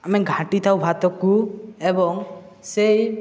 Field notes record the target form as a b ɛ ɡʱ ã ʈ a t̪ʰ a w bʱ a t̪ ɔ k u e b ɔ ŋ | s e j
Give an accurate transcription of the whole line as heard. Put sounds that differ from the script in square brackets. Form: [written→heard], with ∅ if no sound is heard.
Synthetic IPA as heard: a [b→m] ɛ ɡʱ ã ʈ [a→i] t̪ʰ a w bʱ a t̪ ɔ k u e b ɔ ŋ | s e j

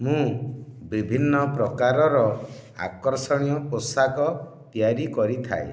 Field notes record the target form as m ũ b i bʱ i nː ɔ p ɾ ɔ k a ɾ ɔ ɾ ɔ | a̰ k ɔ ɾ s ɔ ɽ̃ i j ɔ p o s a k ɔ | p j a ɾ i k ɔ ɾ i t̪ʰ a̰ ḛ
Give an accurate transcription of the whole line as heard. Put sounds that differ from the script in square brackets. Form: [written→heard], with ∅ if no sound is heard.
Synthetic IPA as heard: m ũ b i bʱ i nː ɔ p ɾ ɔ k a ɾ ɔ ɾ ɔ | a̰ k ɔ ɾ s ɔ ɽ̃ i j ɔ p o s a k ɔ | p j a ɾ i k ɔ ɾ i t̪ʰ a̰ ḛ

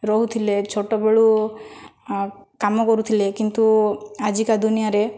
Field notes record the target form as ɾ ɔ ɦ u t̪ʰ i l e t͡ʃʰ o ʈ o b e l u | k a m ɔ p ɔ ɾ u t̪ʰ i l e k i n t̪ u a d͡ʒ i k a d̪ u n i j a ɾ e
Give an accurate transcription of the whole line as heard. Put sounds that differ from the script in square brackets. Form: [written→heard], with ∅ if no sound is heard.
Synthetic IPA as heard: ɾ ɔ ɦ u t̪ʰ i l e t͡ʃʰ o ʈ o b e [l→ɭ] u | k a m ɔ [p→k] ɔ ɾ u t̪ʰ i l e k i n t̪ u a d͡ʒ i k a d̪ u n i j a ɾ e

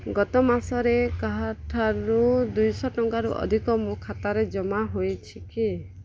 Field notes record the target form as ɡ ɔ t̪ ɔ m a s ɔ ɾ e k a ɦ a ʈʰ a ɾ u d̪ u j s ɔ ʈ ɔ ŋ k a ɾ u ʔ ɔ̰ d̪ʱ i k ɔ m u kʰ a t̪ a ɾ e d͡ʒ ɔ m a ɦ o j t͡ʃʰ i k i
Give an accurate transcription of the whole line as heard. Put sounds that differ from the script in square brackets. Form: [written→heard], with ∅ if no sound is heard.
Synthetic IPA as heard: ɡ ɔ t̪ ɔ m a s ɔ ɾ e k a ɦ a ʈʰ a ɾ u d̪ u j s ɔ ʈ ɔ ŋ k a ɾ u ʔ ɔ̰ d̪ʱ i k ɔ m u kʰ a t̪ a ɾ e d͡ʒ ɔ m a ɦ o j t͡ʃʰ i k i

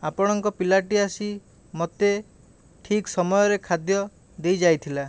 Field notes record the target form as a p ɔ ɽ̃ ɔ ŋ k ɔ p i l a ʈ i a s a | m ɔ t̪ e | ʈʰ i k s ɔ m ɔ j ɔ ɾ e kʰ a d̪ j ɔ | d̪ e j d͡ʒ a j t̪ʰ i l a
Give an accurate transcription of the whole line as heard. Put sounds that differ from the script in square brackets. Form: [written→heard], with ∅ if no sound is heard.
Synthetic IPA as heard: a p ɔ ɽ̃ ɔ ŋ k ɔ p i l a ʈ i a s [a→i] | m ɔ t̪ e | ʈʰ i k s ɔ m ɔ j ɔ ɾ e kʰ a d̪ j ɔ | d̪ e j d͡ʒ a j t̪ʰ i l a

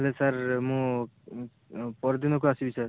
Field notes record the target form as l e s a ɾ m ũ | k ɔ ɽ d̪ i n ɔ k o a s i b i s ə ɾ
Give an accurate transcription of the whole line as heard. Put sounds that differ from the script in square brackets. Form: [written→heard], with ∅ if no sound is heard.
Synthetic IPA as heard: l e s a ɾ m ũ | [k→p] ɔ [ɽ→ɾ] d̪ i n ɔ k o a s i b i s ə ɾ

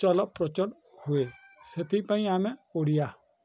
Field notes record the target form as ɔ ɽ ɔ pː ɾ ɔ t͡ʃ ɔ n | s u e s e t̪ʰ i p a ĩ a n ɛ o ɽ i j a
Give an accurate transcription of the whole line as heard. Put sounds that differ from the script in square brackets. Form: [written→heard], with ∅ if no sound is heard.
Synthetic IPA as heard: ɔ [ɽ→l] ɔ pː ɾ ɔ t͡ʃ ɔ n | [s→h] u e s e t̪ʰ i p a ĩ a [n→m] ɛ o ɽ i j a

